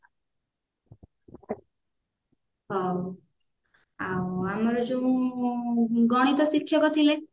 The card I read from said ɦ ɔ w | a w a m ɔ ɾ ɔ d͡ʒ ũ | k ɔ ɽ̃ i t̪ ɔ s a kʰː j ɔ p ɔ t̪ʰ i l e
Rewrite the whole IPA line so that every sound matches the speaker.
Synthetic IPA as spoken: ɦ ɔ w | a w a m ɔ ɾ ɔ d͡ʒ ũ | ɡ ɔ ɽ̃ i t̪ ɔ s i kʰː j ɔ k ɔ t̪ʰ i l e

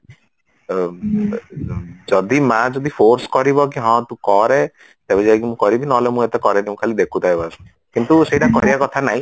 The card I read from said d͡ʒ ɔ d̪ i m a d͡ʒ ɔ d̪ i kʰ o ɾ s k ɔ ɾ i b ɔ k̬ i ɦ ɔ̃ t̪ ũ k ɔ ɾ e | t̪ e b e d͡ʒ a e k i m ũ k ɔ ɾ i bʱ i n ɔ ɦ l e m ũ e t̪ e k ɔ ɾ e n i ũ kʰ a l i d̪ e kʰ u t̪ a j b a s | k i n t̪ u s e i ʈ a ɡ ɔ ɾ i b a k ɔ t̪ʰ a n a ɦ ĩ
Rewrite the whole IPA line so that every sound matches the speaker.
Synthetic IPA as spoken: d͡ʒ ɔ d̪ i m a d͡ʒ ɔ d̪ i pʰ o ɾ s k ɔ ɾ i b ɔ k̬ i ɦ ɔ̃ t̪ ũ k ɔ ɾ e | t̪ e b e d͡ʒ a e k i m ũ k ɔ ɾ i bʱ i n ɔ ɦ l e m ũ e t̪ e k ɔ ɾ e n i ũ kʰ a l i d̪ e kʰ u t̪ a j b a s | k i n t̪ u s e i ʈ a k ɔ ɾ i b a k ɔ t̪ʰ a n a ɦ ĩ

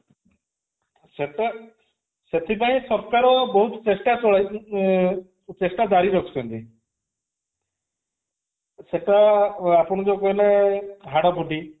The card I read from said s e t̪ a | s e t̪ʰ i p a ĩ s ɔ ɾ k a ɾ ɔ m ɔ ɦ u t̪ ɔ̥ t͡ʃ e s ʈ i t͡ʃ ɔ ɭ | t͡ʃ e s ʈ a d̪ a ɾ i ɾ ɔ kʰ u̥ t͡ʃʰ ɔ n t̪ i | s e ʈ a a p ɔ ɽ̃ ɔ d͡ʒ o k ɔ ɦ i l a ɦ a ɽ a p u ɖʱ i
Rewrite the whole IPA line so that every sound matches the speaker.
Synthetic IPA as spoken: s e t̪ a | s e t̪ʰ i p a ĩ s ɔ ɾ k a ɾ ɔ b ɔ ɦ u t̪ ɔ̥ t͡ʃ e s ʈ a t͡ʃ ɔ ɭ | t͡ʃ e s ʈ a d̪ a ɾ i ɾ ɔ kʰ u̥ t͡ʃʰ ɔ n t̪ i | s e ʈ a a p ɔ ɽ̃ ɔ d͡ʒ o k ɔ ɦ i l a ɦ a ɽ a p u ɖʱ i

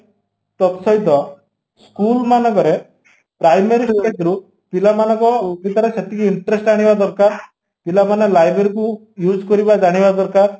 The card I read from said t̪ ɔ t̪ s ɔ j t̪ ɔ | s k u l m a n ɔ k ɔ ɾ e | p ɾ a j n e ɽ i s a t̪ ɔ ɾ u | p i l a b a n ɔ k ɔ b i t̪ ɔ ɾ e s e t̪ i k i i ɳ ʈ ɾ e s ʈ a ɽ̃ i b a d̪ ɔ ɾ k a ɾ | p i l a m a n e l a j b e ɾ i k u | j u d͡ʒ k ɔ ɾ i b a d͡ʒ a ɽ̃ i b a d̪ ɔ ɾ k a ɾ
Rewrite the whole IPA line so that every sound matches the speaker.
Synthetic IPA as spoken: t̪ ɔ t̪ s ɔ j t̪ ɔ | s k u l m a n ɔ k ɔ ɾ e | p ɾ a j m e ɾ i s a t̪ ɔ ɾ u | p i l a m a n ɔ k ɔ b i t̪ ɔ ɾ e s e t̪ i k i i ɳ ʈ ɾ e s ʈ a ɽ̃ i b a d̪ ɔ ɾ k a ɾ | p i l a m a n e l a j b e ɾ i k u | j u d͡ʒ k ɔ ɾ i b a d͡ʒ a ɽ̃ i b a d̪ ɔ ɾ k a ɾ

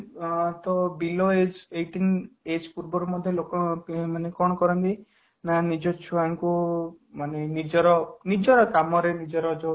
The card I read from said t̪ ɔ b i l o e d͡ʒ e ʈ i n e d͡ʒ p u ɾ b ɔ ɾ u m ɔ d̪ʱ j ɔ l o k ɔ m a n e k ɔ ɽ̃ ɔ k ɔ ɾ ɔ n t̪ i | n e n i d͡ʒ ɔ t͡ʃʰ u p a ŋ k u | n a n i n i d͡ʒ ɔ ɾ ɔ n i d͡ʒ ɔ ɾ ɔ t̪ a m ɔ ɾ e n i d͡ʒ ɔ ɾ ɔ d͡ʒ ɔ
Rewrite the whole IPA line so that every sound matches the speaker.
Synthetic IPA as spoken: t̪ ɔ b i l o e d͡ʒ e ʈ i n e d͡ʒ p u ɾ b ɔ ɾ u m ɔ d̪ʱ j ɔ l o k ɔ m a n e k ɔ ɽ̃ ɔ k ɔ ɾ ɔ n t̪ i | n a n i d͡ʒ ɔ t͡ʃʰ u a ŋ k u | m a n e n i d͡ʒ ɔ ɾ ɔ n i d͡ʒ ɔ ɾ ɔ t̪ a m ɔ ɾ e n i d͡ʒ ɔ ɾ ɔ d͡ʒ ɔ

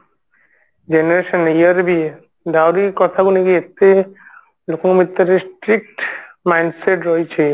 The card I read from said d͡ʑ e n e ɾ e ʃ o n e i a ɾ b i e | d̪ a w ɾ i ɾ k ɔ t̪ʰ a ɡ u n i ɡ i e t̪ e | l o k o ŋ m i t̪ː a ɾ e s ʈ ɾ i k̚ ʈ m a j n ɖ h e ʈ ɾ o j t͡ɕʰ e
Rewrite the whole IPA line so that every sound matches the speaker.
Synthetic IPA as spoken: d͡ʑ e n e ɾ e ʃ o n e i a ɾ b i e | d̪ a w ɾ i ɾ k ɔ t̪ʰ a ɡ u n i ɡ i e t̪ e | l o k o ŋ m i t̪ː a ɾ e s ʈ ɾ i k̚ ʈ m a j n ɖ s e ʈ ɾ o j t͡ɕʰ e

